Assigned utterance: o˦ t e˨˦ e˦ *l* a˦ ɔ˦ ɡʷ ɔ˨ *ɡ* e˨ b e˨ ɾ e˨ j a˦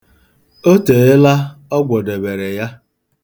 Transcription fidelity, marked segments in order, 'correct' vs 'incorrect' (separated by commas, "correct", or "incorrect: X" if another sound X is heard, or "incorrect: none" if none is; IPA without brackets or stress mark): correct, incorrect: d